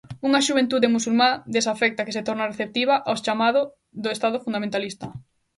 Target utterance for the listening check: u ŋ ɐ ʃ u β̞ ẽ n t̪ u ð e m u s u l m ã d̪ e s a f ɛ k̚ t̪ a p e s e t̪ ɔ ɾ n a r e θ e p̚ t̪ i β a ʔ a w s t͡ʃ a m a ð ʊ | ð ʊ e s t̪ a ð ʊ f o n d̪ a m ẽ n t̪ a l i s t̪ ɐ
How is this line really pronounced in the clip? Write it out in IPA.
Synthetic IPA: u ŋ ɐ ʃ u β̞ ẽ n t̪ u ð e m u s u l m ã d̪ e s a f ɛ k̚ t̪ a k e s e t̪ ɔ ɾ n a r e θ e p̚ t̪ i β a ʔ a w s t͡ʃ a m a ð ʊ | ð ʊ e s t̪ a ð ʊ f u n d̪ a m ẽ n t̪ a l i s t̪ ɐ